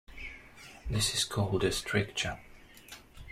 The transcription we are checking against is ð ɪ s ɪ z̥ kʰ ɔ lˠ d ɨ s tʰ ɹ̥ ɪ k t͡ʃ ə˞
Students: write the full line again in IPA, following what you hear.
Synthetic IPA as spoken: ð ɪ s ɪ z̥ kʰ ɔ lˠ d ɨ s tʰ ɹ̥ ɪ k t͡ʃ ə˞